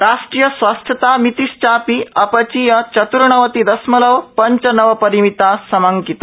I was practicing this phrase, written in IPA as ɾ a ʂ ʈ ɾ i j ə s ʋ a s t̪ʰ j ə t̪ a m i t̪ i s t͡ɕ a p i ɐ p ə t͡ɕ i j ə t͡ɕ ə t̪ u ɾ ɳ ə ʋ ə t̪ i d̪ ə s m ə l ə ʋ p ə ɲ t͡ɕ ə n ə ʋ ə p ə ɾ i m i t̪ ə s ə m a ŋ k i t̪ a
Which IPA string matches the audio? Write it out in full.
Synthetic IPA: ɾ a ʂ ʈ ɾ i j ə s ʋ a s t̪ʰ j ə t̪ a m i t̪ i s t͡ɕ a p i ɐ p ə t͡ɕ i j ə t͡ɕ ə t̪ u ɾ ɳ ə ʋ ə t̪ i d̪ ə s m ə l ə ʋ p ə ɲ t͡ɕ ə n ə ʋ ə p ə ɾ i m i t̪ a s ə m a ŋ k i t̪ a